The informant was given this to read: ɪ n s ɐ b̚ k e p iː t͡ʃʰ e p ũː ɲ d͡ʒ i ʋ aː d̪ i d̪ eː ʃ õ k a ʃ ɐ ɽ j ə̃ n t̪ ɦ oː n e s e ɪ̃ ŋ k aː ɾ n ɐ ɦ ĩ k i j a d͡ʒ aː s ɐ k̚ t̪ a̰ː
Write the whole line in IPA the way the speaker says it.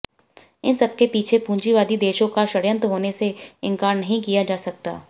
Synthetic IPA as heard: ɪ n s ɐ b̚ k e p iː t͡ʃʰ e p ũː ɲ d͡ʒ i ʋ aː d̪ i d̪ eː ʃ õ k a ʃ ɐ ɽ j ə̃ n t̪ ɦ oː n e s e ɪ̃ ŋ k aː ɾ n ɐ ɦ ĩ k i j a d͡ʒ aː s ɐ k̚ t̪ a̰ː